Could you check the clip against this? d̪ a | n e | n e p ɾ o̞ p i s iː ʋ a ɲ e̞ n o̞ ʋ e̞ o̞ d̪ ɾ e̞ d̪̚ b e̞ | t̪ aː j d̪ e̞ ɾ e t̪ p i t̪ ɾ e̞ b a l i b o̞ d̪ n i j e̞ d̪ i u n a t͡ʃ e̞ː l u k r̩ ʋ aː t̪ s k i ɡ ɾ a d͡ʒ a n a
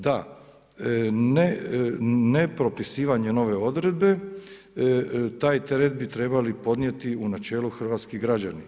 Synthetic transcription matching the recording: d̪ a | n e | n e p ɾ o̞ p i s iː ʋ a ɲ e̞ n o̞ ʋ e̞ o̞ d̪ ɾ e̞ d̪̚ b e̞ | t̪ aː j t̪ e̞ ɾ e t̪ b i t̪ ɾ e̞ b a l i p o̞ d̪ n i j e̞ t̪ i u n a t͡ʃ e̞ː l u x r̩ ʋ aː t̪ s k i ɡ ɾ a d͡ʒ a n i